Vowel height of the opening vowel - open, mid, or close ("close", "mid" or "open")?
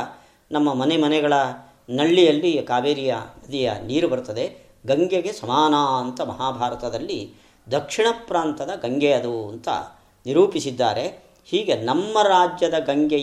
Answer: open